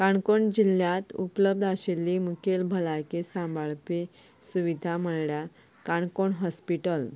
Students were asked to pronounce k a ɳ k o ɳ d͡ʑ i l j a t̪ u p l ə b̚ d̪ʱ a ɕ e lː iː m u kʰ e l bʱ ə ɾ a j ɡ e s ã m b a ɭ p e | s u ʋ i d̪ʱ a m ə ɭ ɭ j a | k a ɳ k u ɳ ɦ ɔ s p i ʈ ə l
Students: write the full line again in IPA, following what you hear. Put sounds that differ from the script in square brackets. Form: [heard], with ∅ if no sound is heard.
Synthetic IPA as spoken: k a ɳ k o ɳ d͡ʑ i l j a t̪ u p l ə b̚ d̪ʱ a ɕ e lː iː m u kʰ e l bʱ ə [l] a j [k] e s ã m b a ɭ p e | s u ʋ i d̪ʱ a m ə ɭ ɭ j a | k a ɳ k [o] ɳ ɦ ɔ s p i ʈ ə l